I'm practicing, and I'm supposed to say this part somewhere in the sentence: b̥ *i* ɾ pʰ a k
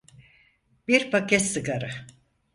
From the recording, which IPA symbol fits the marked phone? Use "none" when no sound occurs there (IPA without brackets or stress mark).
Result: i